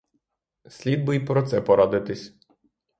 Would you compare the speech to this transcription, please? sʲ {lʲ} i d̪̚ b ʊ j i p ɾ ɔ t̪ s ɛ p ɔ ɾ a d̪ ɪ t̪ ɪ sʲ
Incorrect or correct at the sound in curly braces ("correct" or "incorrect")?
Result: correct